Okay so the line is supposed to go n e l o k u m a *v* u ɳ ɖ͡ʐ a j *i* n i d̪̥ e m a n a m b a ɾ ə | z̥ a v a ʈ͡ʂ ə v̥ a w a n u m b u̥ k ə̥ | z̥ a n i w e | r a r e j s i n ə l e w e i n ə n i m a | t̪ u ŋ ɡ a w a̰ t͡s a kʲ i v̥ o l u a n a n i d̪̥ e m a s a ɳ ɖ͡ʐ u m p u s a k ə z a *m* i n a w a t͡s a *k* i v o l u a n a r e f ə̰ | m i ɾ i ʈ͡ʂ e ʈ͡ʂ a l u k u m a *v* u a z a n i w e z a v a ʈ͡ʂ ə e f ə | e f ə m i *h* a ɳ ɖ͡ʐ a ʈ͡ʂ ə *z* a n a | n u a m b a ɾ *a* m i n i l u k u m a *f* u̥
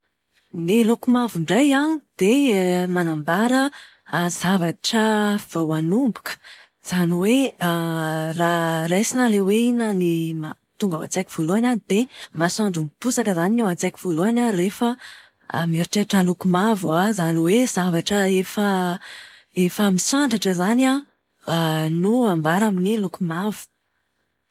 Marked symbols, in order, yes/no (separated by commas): yes, no, no, yes, yes, no, yes, yes, no